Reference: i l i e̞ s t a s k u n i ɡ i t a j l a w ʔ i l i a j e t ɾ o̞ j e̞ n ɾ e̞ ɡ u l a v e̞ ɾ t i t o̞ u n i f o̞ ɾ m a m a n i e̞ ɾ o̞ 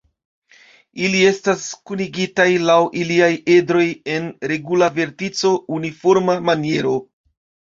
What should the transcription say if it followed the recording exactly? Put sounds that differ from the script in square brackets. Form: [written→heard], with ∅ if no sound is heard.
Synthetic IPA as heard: i l i e̞ s t a s k u n i ɡ i t a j l a w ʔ i l i a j e [t→d] ɾ o̞ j e̞ n ɾ e̞ ɡ u l a v e̞ ɾ t i [t→t͡s] o̞ u n i f o̞ ɾ m a m a n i e̞ ɾ o̞

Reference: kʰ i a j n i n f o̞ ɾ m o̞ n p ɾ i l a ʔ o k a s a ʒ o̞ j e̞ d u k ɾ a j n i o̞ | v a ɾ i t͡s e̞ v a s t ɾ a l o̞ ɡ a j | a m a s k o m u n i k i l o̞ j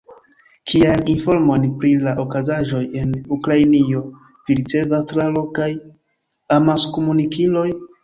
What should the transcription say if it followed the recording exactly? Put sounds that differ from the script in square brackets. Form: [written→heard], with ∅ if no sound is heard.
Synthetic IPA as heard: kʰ i a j n i n f o̞ ɾ m o̞ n p ɾ i l a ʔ o k a [s→z] a ʒ o̞ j e̞ [d→n] u k ɾ a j n i o̞ | v [a→i] ɾ i t͡s e̞ v a s t ɾ a l o̞ [ɡ→k] a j | a m a s k o m u n i k i l o̞ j

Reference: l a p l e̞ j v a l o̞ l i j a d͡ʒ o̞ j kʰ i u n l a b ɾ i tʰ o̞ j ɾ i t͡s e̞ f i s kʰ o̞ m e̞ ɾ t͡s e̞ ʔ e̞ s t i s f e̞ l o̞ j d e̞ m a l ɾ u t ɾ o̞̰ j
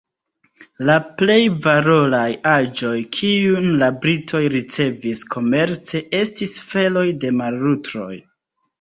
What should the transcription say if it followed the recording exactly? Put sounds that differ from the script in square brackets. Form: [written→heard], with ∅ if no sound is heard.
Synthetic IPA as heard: l a p l e̞ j v a [l→ɾ] o̞ l [i→a] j a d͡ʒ o̞ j kʰ i u n l a b ɾ i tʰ o̞ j ɾ i t͡s e̞ [f→v] i s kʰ o̞ m e̞ ɾ t͡s e̞ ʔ e̞ s t i s f e̞ l o̞ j d e̞ m a l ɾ u t ɾ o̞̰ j

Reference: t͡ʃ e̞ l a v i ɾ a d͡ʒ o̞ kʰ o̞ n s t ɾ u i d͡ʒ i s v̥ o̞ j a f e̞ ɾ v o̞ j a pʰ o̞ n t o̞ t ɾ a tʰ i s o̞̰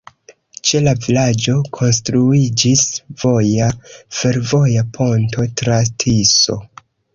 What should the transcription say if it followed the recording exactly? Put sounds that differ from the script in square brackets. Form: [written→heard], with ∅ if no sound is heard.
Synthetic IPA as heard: t͡ʃ e̞ l a v i [ɾ→l] a d͡ʒ o̞ kʰ o̞ n s t ɾ u i d͡ʒ i s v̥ o̞ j a f e̞ ɾ v o̞ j a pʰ o̞ n t o̞ t ɾ a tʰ i s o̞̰

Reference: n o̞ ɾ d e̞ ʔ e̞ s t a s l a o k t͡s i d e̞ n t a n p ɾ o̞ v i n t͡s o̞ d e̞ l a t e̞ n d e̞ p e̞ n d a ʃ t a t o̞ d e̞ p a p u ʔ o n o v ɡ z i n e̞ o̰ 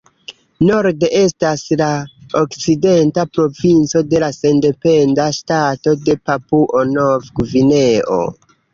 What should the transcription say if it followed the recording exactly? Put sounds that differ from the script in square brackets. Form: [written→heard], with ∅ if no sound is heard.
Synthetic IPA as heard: n o̞ ɾ d e̞ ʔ e̞ s t a s l a o k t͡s i d e̞ n t a [n→∅] p ɾ o̞ v i n t͡s o̞ d e̞ l a [t→s] e̞ n d e̞ p e̞ n d a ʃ t a t o̞ d e̞ p a p u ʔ o n o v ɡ [z→v] i n e̞ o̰

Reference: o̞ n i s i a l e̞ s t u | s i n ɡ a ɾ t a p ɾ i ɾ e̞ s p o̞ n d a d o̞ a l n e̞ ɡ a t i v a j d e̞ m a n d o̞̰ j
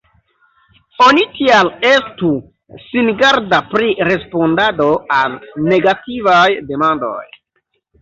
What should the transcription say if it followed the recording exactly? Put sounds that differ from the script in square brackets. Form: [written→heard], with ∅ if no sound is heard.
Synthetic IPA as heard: o̞ n i [s→t] i a l e̞ s t u | s i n ɡ a ɾ [t→d] a p ɾ i ɾ e̞ s p o̞ n d a d o̞ a l n e̞ ɡ a t i v a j d e̞ m a n d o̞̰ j

